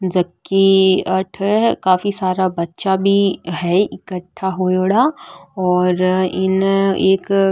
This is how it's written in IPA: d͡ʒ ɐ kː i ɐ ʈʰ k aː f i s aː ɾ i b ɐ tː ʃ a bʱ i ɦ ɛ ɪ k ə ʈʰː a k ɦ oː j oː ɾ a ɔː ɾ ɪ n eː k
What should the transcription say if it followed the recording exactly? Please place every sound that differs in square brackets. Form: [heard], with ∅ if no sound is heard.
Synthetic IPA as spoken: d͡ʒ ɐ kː i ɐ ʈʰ k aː f i s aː ɾ [a] b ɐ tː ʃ a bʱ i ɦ ɛ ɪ k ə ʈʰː a [∅] ɦ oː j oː [ɽ] a ɔː ɾ ɪ n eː k